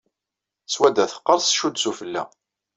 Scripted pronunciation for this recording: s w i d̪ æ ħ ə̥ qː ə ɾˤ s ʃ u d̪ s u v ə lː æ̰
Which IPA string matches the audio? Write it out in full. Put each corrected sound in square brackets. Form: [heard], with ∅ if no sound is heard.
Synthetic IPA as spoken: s w [æ] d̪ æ [θ] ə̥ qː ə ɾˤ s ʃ u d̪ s u [f] ə lː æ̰